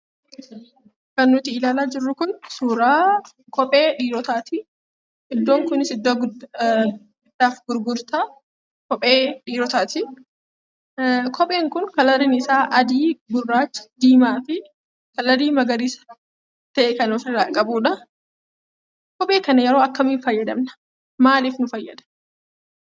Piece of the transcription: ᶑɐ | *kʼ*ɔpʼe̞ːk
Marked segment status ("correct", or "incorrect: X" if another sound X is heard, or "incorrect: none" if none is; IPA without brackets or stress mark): incorrect: k